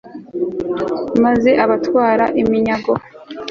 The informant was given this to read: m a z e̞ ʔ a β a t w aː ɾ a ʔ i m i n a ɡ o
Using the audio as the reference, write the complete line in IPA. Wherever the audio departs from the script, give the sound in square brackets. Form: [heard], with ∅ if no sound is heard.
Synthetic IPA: m a z e̞ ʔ a β a t w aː ɾ a ʔ i m i [ɲ] a ɡ o